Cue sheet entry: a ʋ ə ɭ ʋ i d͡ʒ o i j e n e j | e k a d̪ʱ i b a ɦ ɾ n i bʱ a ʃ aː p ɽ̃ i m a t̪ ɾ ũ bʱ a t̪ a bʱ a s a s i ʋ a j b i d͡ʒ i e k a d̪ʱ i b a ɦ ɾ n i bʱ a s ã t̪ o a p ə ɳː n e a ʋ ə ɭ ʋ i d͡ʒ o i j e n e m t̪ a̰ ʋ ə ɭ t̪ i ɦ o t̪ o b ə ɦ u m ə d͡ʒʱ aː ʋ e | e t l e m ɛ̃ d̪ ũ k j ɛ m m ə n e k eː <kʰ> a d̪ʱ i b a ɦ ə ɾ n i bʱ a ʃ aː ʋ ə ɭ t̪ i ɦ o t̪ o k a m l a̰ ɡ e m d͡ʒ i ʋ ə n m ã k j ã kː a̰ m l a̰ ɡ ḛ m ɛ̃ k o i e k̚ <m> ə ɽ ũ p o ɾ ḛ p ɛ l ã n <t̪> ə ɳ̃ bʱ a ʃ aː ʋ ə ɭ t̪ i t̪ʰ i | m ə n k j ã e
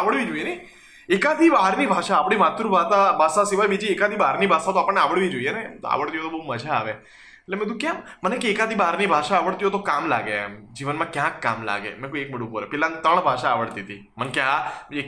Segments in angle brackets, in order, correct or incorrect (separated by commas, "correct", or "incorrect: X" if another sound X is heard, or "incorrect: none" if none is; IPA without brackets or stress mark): incorrect: k, correct, correct